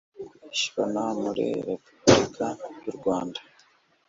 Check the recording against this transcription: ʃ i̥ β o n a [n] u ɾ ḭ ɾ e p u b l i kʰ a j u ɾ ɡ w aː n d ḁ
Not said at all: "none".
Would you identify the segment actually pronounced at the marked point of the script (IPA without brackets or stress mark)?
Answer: m